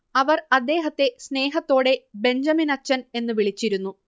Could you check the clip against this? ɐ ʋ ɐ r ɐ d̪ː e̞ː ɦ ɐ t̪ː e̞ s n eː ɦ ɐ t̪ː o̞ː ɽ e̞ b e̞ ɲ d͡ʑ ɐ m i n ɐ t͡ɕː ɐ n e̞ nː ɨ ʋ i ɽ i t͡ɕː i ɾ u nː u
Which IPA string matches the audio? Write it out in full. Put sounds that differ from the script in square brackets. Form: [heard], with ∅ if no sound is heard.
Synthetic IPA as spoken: ɐ ʋ ɐ r ɐ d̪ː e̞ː ɦ ɐ t̪ː e̞ s n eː ɦ ɐ t̪ː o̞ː ɽ e̞ b e̞ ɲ d͡ʑ ɐ m i n ɐ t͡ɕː ɐ n e̞ nː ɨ ʋ i [ɭ] i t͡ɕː i ɾ u nː u